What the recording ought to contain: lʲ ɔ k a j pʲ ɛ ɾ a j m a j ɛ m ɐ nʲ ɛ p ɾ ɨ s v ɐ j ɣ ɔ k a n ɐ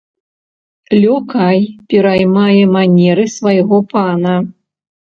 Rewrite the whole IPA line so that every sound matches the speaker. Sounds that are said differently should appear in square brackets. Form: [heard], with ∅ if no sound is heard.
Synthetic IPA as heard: lʲ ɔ k a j pʲ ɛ ɾ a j m a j ɛ m [a] nʲ ɛ [∅] ɾ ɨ s v [a] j ɣ ɔ [p] a n ɐ